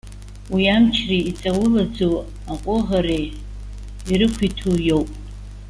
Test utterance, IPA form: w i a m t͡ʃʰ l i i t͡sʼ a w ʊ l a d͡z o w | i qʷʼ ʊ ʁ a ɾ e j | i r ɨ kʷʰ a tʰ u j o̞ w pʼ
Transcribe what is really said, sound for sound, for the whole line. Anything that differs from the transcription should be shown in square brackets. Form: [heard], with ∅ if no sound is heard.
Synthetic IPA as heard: w i a m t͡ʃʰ [r] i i t͡sʼ a w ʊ l a d͡z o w | [a] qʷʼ ʊ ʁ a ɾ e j | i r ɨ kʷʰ [i] tʰ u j o̞ w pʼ